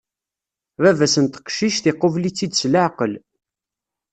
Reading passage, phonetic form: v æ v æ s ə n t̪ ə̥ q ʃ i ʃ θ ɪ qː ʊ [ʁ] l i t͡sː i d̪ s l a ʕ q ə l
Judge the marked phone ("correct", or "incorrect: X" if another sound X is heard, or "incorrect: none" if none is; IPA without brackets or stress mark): incorrect: v